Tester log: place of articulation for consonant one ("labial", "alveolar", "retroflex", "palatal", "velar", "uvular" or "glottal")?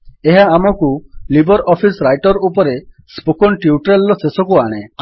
glottal